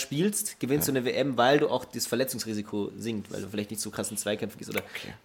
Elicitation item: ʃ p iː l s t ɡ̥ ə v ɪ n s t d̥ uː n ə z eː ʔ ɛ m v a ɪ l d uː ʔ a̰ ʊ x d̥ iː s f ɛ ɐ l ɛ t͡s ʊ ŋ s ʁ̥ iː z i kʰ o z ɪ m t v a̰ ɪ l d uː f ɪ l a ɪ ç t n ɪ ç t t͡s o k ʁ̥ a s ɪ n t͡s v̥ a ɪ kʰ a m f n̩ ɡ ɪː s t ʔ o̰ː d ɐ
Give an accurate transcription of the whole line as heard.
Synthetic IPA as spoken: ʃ p iː l s t ɡ̥ ə v ɪ n s t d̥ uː n ə v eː ʔ ɛ m v a ɪ l d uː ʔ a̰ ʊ x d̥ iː s f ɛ ɐ l ɛ t͡s ʊ ŋ s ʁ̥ iː z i kʰ o z ɪ ŋ t v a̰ ɪ l d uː f ɪ l a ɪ ç t n ɪ ç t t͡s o k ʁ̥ a s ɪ n t͡s v̥ a ɪ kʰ ɛ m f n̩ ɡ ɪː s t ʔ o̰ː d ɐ